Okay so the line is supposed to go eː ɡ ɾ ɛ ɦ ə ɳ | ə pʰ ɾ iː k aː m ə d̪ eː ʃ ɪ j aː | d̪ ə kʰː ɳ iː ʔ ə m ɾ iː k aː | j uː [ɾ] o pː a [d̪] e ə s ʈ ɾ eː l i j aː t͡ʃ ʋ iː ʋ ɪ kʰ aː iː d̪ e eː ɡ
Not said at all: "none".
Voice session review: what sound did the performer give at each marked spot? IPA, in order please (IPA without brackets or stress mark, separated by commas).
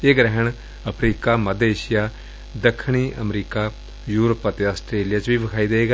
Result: ɾ, t̪